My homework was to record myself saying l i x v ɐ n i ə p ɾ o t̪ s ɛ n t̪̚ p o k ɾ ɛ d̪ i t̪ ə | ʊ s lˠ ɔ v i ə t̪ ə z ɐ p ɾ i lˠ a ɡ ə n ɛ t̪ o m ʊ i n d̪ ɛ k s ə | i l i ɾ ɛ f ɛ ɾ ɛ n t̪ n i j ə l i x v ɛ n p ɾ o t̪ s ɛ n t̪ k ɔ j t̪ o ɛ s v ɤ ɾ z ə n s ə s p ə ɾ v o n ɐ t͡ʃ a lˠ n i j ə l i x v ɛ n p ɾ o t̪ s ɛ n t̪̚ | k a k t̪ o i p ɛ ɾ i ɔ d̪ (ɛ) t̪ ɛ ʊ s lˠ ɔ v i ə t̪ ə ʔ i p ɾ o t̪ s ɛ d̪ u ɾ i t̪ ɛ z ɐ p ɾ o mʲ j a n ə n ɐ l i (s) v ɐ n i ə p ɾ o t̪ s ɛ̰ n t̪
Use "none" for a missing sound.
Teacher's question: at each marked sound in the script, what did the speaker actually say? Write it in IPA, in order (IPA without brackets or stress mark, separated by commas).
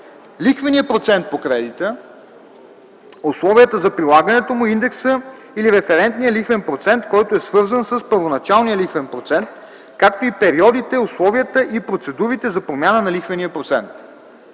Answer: i, x